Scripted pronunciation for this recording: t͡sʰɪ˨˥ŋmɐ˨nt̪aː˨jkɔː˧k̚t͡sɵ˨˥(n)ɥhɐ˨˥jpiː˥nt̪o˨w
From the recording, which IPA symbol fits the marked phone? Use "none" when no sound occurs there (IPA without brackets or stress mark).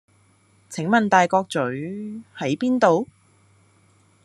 none